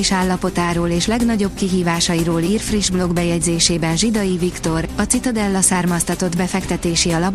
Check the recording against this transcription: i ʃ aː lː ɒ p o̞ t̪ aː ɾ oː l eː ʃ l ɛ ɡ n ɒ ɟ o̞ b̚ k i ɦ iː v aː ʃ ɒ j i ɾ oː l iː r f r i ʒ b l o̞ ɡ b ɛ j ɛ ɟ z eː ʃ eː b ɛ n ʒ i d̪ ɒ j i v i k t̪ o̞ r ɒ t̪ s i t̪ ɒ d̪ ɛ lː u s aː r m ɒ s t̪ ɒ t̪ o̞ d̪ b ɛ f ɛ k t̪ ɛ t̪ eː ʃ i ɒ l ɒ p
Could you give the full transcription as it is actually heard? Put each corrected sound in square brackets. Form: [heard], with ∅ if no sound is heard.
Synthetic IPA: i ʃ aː lː ɒ p o̞ t̪ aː ɾ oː l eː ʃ l ɛ ɡ n ɒ ɟ o̞ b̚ k i ɦ iː v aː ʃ ɒ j i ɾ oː l iː r f r i ʒ b l o̞ ɡ b ɛ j ɛ ɟ z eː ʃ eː b ɛ n ʒ i d̪ ɒ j i v i k t̪ o̞ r ɒ t̪ s i t̪ ɒ d̪ ɛ lː [ɒ] s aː r m ɒ s t̪ ɒ t̪ o̞ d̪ b ɛ f ɛ k t̪ ɛ t̪ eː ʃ i ɒ l ɒ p